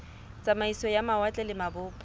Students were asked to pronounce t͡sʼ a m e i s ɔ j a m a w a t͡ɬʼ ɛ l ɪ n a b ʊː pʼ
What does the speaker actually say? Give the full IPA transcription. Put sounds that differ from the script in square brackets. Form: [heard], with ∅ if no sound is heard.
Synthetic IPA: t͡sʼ a m [a] i s ɔ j a m a w a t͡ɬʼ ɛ l ɪ [m] a b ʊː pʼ